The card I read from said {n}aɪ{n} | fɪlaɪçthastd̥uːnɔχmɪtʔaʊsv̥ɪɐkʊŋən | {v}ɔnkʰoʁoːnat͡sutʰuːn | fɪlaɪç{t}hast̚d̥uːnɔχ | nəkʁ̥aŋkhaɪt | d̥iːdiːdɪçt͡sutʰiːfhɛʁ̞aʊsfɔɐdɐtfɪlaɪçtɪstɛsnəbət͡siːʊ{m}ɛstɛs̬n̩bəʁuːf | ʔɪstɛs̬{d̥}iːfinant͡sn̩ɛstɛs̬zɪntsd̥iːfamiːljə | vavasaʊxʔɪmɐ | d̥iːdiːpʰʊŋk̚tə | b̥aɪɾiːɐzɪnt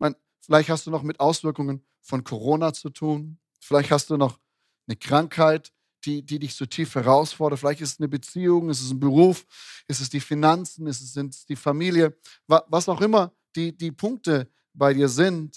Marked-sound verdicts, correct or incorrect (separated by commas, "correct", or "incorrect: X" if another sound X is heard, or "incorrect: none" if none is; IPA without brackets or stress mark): incorrect: m, correct, incorrect: f, correct, incorrect: ŋ, correct